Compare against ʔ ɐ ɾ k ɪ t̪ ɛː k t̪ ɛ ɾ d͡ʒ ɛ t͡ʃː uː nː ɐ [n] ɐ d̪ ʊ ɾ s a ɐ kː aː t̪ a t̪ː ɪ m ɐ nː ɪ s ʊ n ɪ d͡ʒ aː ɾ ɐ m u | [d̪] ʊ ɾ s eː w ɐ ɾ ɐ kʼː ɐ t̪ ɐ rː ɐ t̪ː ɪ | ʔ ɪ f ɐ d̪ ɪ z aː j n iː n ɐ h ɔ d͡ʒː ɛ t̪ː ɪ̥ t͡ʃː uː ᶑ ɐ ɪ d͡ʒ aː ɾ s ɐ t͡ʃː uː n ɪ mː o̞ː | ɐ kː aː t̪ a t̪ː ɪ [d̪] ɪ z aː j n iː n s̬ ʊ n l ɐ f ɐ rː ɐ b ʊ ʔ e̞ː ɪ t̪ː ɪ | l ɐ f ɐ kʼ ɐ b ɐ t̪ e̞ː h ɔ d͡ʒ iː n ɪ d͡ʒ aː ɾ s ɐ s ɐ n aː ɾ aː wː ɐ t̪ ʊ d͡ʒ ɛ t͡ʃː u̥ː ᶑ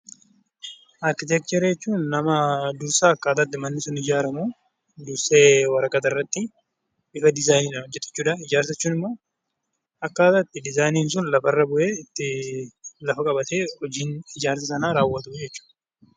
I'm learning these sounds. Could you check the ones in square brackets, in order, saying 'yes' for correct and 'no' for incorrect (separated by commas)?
no, yes, yes